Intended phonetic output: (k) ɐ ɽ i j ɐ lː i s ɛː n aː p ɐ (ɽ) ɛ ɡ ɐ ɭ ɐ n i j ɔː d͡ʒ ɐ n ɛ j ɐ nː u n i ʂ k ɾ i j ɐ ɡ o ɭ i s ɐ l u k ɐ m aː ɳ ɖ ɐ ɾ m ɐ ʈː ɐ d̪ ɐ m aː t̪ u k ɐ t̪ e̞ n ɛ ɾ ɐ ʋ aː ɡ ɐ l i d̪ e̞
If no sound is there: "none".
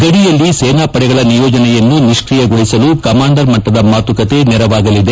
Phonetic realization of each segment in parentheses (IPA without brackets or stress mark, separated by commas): ɡ, ɽ